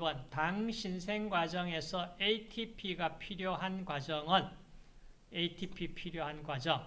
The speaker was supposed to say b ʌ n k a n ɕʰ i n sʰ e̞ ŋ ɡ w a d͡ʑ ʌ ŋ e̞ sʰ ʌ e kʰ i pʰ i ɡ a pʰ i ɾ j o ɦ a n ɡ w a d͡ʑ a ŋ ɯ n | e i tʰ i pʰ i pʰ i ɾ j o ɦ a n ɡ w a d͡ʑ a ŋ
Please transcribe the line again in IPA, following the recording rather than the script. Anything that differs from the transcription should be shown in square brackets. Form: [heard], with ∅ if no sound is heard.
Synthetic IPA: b ʌ n [t] a [ŋ] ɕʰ i n sʰ e̞ ŋ ɡ w a d͡ʑ ʌ ŋ e̞ sʰ ʌ e [tʰ] i pʰ i ɡ a pʰ i ɾ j o ɦ a n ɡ w a d͡ʑ [ʌ] ŋ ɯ n | e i tʰ i pʰ i pʰ i ɾ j o ɦ a n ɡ w a d͡ʑ [ʌ] ŋ